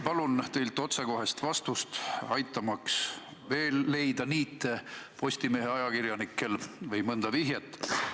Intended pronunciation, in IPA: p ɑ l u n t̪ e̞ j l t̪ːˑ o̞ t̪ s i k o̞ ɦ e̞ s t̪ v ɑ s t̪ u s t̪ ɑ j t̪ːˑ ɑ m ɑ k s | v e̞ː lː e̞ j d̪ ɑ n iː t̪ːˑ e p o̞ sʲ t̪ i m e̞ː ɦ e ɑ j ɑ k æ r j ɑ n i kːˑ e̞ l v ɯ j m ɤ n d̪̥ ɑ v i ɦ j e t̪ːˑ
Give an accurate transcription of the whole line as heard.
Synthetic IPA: p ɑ l u n t̪ e̞ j l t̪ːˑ o̞ t̪ s e k o̞ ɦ e̞ s t̪ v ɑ s t̪ u s t̪ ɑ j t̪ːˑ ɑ m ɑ k s | v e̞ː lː e̞ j d̪ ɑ n iː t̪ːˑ e p o̞ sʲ t̪ i m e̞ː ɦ e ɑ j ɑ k i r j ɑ n i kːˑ e̞ l v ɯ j m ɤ n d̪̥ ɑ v i ɦ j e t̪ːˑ